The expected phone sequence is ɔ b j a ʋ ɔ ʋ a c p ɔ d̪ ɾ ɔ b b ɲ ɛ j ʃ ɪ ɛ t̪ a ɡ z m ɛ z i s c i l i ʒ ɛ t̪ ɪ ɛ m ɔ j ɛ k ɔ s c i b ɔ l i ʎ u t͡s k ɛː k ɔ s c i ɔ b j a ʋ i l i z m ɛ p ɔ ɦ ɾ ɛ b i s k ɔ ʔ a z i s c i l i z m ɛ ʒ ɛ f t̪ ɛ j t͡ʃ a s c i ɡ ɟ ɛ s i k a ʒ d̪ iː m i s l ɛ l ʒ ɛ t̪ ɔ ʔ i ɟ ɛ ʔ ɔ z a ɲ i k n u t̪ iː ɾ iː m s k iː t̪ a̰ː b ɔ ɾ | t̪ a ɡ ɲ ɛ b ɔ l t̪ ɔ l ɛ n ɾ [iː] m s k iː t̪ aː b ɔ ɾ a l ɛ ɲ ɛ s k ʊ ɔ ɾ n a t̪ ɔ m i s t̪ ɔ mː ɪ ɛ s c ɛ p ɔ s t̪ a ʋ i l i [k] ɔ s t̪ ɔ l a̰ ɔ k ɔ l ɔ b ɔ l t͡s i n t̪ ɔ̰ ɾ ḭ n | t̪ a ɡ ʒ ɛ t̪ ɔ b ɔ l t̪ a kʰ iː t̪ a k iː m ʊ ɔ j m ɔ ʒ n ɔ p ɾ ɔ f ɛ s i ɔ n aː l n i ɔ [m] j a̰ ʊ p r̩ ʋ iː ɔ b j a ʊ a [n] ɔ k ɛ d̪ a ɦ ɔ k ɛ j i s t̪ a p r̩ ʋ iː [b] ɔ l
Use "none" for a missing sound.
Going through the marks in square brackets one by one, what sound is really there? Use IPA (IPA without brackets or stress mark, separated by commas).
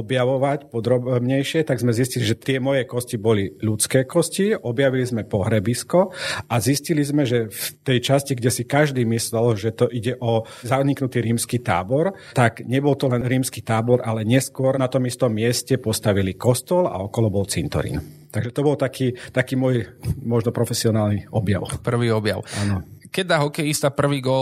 iː, k, b, n, ɡ